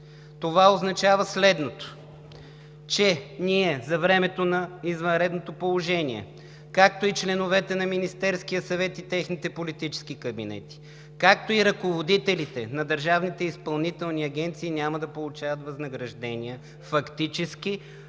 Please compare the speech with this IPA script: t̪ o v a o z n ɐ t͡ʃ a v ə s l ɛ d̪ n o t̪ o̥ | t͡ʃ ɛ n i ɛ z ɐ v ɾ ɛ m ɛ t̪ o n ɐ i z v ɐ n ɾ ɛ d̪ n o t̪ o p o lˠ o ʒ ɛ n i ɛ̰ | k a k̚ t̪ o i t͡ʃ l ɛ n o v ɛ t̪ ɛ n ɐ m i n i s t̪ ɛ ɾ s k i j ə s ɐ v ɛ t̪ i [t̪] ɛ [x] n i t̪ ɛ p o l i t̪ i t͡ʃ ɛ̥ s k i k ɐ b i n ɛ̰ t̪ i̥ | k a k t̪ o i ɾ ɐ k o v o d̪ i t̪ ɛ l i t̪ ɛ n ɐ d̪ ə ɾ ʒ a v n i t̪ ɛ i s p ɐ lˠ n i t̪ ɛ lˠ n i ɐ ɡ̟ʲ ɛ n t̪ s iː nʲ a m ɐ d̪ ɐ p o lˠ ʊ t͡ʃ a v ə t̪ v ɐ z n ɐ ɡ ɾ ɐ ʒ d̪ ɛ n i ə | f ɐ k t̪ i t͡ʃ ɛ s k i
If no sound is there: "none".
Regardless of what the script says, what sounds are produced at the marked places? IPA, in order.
t̪, x

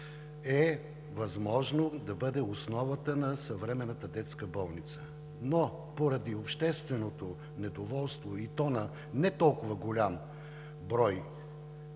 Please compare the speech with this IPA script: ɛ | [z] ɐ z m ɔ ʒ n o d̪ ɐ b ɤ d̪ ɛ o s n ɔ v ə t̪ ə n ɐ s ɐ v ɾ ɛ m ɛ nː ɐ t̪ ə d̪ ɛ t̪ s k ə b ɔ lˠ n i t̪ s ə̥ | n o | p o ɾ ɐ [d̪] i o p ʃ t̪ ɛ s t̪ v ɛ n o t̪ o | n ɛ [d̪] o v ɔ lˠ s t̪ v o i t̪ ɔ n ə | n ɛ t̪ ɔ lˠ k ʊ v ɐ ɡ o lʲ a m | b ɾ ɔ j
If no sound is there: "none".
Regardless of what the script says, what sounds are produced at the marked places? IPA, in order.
v, d̪, d̪

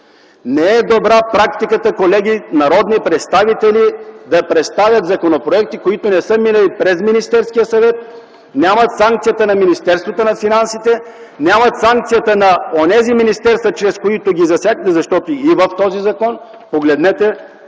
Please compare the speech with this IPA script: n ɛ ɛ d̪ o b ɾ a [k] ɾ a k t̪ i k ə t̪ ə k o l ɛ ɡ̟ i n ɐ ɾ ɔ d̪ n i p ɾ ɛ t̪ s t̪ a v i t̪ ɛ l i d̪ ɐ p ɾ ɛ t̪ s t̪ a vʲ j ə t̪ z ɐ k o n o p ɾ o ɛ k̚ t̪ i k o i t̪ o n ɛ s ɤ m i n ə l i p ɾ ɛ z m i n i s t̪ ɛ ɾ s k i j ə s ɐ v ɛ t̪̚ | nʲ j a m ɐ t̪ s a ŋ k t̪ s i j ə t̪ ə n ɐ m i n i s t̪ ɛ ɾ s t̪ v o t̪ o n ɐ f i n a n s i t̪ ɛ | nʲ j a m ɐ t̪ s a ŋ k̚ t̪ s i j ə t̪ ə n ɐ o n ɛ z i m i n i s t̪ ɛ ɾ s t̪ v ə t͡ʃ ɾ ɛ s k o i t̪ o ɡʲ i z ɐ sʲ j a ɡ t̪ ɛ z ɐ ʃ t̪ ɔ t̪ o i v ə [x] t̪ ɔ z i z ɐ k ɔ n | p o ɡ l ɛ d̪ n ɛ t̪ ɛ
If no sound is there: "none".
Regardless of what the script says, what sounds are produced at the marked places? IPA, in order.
p, f

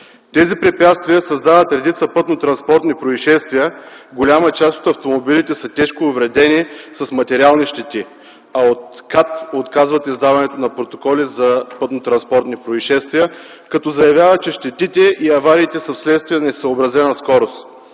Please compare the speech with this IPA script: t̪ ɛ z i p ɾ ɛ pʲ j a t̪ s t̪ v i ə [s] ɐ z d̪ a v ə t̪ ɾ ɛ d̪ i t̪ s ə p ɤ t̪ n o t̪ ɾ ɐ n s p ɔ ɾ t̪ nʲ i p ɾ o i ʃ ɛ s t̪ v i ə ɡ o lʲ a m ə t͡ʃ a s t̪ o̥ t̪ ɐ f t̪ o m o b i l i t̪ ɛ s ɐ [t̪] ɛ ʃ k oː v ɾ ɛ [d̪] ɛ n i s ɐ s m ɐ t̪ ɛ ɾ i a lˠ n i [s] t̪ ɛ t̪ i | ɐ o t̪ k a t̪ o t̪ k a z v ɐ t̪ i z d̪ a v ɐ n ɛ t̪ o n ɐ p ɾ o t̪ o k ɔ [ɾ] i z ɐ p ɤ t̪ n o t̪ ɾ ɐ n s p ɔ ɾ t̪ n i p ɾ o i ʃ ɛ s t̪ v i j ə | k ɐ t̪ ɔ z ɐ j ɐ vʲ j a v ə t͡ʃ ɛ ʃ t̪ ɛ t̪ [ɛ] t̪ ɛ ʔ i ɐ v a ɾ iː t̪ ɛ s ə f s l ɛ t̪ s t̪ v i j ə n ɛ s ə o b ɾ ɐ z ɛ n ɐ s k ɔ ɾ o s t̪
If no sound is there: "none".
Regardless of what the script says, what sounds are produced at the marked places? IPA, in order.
s, t̪, d̪, ʃ, l, i

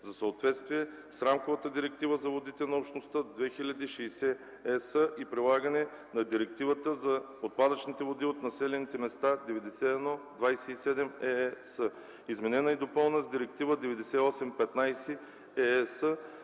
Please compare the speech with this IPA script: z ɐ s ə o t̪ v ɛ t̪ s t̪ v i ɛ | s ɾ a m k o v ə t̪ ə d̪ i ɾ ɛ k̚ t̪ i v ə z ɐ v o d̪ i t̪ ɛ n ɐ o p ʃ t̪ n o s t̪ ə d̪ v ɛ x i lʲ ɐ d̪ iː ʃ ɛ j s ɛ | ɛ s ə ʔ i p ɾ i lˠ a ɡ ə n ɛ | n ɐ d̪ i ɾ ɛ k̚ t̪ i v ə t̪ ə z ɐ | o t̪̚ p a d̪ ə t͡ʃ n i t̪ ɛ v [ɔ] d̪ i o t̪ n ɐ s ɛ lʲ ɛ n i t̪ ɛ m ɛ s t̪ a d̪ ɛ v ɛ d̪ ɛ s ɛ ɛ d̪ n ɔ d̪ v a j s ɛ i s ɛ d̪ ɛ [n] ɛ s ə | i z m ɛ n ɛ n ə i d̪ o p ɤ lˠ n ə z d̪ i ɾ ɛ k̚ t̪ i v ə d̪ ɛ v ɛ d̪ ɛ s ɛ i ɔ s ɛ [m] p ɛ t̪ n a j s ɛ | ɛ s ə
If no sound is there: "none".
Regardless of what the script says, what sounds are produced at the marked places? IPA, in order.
o, m, m

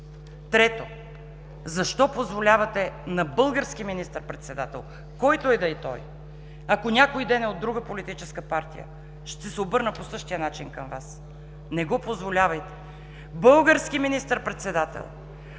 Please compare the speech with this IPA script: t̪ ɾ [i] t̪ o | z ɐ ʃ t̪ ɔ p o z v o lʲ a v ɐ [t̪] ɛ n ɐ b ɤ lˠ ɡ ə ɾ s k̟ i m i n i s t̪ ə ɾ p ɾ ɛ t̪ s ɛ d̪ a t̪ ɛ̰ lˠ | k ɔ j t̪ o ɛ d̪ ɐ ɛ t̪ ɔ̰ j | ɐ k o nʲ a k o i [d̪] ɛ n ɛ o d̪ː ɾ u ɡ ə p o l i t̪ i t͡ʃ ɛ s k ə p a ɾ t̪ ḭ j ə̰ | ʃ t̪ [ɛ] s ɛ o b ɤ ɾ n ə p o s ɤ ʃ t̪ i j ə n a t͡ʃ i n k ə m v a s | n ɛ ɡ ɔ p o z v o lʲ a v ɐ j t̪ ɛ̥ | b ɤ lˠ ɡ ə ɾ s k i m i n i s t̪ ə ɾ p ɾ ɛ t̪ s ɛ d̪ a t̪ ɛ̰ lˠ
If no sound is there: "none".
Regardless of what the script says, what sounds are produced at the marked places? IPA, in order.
ɛ, t̪, d̪, ɛ

